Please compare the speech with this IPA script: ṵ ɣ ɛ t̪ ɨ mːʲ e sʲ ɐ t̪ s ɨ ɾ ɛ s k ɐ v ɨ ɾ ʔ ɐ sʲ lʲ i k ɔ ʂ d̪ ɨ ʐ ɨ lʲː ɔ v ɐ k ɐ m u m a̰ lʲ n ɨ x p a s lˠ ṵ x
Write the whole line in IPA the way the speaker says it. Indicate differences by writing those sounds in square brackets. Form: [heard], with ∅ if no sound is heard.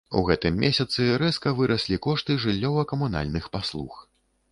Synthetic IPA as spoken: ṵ ɣ ɛ t̪ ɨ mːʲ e sʲ ɐ t̪ s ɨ ɾ ɛ s k ɐ v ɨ ɾ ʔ ɐ sʲ lʲ i k ɔ ʂ [t̪] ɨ ʐ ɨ lʲː ɔ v ɐ k ɐ m u [n] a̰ lʲ n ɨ x p a s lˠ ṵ x